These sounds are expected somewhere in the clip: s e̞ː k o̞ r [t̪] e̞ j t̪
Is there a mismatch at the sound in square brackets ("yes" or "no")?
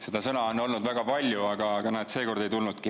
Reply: yes